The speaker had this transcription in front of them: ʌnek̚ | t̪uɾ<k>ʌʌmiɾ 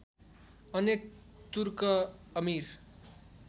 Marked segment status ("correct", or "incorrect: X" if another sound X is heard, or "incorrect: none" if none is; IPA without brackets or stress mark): correct